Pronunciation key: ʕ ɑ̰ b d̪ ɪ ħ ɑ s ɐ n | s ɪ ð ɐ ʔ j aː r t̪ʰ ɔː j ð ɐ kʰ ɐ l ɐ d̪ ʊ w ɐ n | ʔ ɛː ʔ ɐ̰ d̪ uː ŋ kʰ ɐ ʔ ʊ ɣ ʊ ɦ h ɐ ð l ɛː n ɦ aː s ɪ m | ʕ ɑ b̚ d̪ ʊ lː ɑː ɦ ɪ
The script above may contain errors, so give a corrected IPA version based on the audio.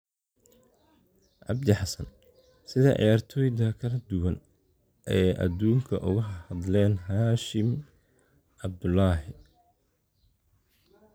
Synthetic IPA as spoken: ʕ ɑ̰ b d̪ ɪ ħ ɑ s ɐ n | s ɪ ð ɐ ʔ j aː r t̪ʰ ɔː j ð ɐ kʰ ɐ l ɐ d̪ ʊ w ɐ n | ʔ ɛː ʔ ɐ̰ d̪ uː ŋ kʰ ɐ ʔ ʊ ɣ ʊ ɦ h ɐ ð l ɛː n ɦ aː ʃ ɪ m | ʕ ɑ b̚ d̪ ʊ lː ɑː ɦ ɪ